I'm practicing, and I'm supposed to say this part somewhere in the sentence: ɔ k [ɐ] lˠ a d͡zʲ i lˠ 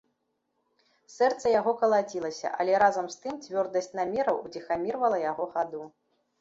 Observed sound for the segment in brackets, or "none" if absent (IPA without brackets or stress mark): ɐ